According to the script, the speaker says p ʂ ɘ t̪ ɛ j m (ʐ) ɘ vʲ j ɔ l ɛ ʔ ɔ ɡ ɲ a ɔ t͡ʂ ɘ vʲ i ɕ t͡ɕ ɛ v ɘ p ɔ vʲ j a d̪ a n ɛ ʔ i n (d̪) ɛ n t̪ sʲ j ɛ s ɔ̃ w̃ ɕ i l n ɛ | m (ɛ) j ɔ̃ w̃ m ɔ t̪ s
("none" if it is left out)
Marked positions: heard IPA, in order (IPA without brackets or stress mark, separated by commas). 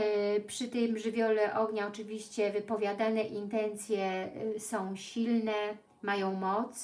ʐ, t̪, a